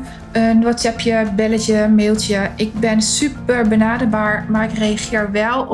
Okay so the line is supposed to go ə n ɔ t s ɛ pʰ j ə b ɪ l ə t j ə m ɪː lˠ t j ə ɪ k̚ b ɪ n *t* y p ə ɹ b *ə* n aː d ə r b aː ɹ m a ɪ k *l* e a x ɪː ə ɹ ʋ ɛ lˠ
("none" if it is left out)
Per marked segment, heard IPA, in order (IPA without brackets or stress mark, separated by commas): s, ə, r